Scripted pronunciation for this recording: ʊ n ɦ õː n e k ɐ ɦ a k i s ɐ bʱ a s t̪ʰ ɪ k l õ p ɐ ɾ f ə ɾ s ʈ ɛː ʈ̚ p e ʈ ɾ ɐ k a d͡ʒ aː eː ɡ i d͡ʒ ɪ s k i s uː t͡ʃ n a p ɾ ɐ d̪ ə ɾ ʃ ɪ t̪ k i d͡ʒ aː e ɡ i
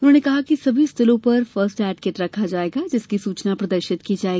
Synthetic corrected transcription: ʊ n ɦ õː n e k ɐ ɦ a k i s ɐ bʱ i s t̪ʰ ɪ l õ p ɐ ɾ f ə ɾ s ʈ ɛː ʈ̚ k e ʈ ɾ ɐ kʰ a d͡ʒ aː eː ɡ a d͡ʒ ɪ s k i s uː t͡ʃ n a p ɾ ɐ d̪ ə ɾ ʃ ɪ t̪ k i d͡ʒ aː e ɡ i